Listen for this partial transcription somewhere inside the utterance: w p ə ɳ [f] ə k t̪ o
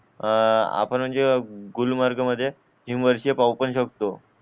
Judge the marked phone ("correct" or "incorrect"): incorrect